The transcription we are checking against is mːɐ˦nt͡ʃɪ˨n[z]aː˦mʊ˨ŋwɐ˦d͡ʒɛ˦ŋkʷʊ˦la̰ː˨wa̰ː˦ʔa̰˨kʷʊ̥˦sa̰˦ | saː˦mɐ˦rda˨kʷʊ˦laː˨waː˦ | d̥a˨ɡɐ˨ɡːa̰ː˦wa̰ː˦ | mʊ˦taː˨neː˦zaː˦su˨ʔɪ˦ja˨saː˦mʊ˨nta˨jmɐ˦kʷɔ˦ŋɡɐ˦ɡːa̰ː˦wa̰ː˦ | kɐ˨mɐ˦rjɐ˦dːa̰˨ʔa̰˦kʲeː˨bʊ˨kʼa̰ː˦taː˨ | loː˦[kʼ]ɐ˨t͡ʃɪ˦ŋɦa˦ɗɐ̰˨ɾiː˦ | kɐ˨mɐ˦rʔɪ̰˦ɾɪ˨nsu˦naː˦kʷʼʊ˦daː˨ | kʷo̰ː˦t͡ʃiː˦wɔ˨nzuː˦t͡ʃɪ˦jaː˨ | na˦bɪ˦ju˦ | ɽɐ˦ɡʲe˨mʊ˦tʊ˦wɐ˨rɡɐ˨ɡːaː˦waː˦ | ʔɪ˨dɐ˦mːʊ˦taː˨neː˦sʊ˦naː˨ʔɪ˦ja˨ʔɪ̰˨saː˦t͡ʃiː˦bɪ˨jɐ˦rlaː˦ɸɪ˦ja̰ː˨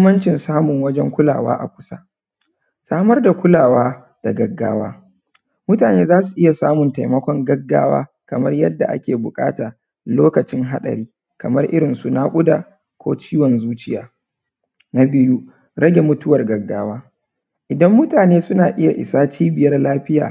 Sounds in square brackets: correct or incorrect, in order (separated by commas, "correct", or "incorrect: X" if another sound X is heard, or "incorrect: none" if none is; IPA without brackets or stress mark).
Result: incorrect: s, incorrect: k